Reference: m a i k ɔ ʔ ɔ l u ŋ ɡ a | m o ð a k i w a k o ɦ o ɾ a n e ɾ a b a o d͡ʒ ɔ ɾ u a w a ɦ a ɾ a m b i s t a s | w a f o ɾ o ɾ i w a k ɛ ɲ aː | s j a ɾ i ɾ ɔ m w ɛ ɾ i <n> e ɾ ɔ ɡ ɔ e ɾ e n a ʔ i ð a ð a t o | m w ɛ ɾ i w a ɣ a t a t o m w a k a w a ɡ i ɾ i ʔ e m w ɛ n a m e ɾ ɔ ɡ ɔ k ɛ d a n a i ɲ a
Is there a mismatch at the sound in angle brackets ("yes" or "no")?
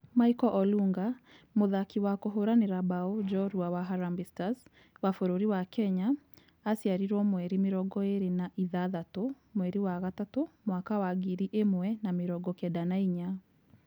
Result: yes